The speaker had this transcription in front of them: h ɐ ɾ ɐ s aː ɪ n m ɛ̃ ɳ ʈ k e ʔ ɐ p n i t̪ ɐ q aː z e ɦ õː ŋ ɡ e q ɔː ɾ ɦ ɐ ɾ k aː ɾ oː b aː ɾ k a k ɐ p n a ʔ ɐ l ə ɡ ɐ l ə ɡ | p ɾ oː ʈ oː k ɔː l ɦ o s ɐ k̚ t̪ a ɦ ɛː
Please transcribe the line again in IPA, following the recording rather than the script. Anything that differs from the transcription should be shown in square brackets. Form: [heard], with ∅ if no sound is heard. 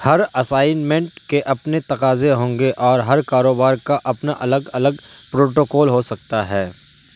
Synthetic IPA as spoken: h ɐ ɾ ɐ s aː ɪ n m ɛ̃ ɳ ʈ k e ʔ ɐ p n [e] t̪ ɐ q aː z e ɦ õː ŋ ɡ e [ʔ] ɔː ɾ ɦ ɐ ɾ k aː ɾ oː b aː ɾ k a [ʔ] ɐ p n a ʔ ɐ l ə ɡ ɐ l ə ɡ | p ɾ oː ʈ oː k ɔː l ɦ o s ɐ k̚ t̪ a ɦ ɛː